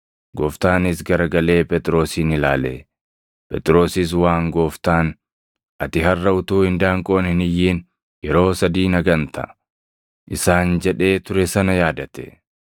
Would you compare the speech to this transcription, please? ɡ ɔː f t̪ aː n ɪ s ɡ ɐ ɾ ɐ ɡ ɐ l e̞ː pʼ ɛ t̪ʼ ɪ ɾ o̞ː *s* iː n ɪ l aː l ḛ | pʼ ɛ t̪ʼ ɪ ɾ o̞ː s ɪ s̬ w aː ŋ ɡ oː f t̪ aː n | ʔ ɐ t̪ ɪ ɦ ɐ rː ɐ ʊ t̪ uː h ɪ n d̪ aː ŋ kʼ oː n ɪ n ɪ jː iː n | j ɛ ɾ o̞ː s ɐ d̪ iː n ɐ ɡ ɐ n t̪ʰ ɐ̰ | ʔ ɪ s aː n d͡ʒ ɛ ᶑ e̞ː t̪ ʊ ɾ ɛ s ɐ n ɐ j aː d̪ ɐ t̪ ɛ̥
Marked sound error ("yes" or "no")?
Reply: no